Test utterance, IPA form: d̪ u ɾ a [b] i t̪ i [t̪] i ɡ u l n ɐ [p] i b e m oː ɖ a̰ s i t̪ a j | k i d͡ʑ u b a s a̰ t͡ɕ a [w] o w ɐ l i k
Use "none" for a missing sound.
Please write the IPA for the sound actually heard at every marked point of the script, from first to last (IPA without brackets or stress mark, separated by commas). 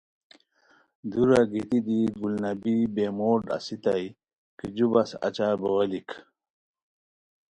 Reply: ɡ, d̪, b, b